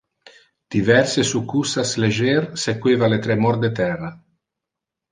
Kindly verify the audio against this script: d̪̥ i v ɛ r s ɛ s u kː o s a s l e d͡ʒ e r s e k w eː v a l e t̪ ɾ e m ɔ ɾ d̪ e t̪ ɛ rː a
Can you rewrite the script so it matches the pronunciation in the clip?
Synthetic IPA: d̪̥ i v ɛ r s e s u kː u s a s l e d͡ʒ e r s e k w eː v a l e t̪ ɾ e m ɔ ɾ d̪ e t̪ ɛ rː a